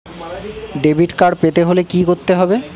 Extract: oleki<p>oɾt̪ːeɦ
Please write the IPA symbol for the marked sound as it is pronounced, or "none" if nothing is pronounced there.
k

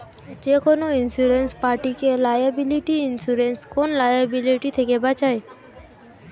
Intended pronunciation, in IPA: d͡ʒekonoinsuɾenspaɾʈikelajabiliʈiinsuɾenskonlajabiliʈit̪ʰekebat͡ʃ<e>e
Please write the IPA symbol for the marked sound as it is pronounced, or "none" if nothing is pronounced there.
a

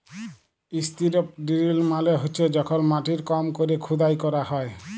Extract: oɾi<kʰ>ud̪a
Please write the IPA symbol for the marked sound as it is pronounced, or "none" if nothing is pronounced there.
kʰ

